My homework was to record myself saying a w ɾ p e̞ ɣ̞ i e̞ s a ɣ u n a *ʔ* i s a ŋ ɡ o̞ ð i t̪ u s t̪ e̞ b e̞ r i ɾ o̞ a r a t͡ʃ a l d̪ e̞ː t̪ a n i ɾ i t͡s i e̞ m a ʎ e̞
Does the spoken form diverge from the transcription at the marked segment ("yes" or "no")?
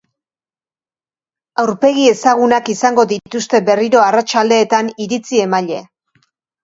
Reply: yes